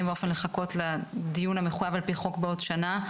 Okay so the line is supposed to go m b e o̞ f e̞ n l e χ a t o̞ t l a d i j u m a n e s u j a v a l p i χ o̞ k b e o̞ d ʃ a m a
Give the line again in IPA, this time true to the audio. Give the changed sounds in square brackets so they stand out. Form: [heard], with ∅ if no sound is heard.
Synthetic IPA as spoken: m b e o̞ f e̞ n l e χ a [k] o̞ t l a d i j u [n] a [m] e [χ] u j a v a l p i χ o̞ k b e o̞ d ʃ a [n] a